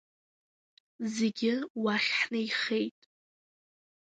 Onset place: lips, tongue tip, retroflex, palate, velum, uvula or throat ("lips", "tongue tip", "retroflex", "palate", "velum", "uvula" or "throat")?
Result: tongue tip